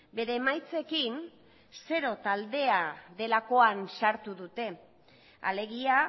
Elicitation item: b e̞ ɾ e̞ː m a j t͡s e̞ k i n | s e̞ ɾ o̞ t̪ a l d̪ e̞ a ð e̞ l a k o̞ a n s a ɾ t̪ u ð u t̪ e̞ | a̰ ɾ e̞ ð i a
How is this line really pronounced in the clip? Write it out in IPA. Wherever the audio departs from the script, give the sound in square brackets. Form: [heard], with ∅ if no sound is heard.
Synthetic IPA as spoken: b e̞ ɾ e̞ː m a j t͡s e̞ k i n | s e̞ ɾ o̞ t̪ a l d̪ e̞ a ð e̞ l a k o̞ a n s a ɾ t̪ u ð u t̪ e̞ | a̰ [l] e̞ [ɣ] i a